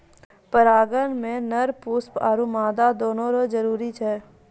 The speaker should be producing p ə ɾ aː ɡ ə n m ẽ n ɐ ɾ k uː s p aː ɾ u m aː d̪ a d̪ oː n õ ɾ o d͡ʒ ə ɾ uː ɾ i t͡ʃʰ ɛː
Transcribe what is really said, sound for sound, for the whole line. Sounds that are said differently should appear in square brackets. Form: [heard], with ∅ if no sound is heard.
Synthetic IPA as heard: p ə ɾ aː ɡ ə n m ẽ n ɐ ɾ [p] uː s p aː ɾ u m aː d̪ a d̪ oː n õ ɾ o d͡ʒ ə ɾ uː ɾ i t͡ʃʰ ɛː